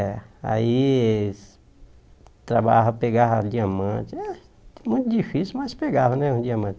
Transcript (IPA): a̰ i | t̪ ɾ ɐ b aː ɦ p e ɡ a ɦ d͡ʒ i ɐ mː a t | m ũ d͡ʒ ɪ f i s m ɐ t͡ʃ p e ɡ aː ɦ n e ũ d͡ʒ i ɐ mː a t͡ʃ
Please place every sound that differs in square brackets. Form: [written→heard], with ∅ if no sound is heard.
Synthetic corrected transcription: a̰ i | t̪ ɾ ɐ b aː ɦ p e ɡ a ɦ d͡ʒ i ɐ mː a [t→t͡ʃ] | m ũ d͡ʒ [ɪ→i] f i s m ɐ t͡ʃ p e ɡ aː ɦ n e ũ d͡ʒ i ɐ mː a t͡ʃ